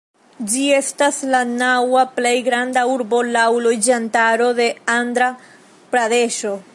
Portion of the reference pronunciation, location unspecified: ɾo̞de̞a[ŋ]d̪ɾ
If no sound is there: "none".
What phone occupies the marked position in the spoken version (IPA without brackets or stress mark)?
n